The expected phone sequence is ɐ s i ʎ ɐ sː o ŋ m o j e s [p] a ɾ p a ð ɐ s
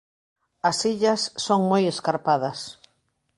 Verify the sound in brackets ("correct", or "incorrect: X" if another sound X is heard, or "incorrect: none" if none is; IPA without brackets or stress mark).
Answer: incorrect: k